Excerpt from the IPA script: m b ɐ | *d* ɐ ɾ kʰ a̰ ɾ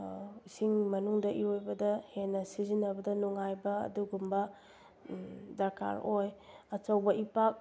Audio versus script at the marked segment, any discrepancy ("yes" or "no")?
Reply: no